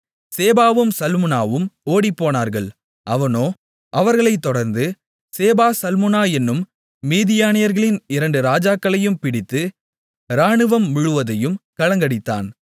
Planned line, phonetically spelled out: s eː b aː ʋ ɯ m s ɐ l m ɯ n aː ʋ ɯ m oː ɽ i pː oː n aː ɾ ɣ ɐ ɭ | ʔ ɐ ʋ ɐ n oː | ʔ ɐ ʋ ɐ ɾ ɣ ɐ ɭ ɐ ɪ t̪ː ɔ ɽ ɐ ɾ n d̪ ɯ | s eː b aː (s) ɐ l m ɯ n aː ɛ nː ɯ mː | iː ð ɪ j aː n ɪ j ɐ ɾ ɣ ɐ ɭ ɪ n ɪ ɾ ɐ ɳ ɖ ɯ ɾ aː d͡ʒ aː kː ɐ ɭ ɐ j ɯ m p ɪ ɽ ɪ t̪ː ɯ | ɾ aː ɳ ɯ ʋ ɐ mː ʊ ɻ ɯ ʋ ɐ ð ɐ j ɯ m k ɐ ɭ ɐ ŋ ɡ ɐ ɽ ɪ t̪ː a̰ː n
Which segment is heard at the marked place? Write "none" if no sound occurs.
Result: s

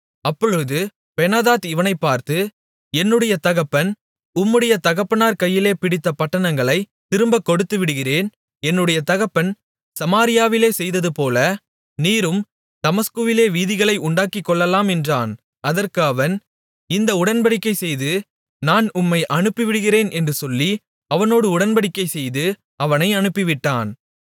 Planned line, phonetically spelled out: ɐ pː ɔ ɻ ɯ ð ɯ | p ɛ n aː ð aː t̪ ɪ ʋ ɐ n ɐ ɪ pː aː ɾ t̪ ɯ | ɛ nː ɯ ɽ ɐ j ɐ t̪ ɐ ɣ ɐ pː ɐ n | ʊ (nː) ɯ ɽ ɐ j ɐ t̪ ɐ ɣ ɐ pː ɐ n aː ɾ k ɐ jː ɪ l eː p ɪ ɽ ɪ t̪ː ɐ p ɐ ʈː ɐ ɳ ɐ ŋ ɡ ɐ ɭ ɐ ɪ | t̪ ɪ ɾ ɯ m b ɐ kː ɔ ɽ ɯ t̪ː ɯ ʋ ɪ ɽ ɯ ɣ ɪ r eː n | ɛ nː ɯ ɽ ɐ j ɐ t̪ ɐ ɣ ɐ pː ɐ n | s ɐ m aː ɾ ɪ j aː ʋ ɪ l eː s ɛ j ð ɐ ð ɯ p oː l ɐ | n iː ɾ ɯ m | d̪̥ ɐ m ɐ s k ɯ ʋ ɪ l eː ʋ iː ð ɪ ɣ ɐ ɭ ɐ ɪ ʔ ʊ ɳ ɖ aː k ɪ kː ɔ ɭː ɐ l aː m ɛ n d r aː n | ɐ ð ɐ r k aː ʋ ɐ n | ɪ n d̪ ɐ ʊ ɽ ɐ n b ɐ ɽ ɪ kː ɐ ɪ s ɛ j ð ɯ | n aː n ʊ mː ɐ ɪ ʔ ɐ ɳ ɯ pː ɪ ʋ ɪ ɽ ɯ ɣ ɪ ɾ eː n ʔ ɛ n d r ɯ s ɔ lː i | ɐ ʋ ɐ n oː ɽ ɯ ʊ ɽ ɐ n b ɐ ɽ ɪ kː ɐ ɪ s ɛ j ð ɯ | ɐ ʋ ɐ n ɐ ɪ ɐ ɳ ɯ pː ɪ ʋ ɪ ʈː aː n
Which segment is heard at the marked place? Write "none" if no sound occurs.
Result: mː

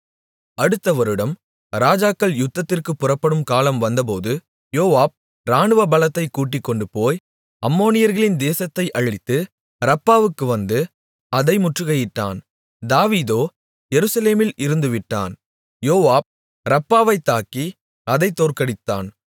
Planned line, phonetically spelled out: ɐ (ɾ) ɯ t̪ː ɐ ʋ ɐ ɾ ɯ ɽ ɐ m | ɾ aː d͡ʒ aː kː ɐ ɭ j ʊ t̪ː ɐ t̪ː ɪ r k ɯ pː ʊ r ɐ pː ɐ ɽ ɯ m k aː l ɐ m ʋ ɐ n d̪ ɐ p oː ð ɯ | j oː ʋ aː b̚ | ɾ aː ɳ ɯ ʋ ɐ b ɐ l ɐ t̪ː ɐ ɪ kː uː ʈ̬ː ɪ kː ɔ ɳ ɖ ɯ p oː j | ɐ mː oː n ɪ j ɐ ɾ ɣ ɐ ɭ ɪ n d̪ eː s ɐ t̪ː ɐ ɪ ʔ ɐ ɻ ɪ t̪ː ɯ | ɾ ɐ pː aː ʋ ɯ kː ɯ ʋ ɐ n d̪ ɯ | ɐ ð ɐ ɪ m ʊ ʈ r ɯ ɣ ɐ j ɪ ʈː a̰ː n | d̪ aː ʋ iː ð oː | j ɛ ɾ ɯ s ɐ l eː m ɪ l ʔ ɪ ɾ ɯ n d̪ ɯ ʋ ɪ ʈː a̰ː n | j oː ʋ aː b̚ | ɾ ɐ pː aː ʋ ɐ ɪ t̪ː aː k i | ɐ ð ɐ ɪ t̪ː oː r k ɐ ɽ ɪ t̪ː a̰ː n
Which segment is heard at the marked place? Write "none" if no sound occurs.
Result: ɽ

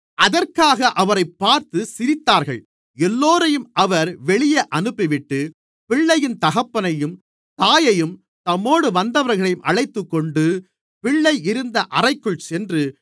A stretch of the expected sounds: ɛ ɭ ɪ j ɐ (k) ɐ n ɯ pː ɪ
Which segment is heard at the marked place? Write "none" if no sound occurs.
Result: ʔ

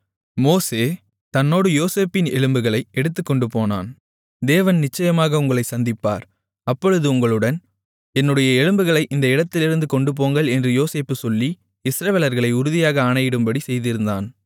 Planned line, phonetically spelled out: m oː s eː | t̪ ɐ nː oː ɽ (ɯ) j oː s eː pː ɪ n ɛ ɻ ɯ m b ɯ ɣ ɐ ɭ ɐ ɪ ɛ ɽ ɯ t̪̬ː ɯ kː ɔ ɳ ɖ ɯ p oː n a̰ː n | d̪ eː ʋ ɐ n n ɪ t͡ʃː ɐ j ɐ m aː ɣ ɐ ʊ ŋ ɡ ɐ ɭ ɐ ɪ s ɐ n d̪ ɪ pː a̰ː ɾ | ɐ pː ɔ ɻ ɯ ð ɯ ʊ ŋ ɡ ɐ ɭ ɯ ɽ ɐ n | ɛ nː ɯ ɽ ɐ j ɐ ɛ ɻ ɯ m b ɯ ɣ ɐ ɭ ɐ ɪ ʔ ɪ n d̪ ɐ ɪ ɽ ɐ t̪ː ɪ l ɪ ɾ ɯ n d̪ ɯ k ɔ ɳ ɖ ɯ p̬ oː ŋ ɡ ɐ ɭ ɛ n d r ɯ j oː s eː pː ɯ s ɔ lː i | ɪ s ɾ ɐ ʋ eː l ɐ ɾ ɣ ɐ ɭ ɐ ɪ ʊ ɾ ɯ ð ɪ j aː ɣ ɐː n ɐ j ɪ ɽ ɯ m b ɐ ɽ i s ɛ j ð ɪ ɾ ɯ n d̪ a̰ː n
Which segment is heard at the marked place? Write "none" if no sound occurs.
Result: ɯ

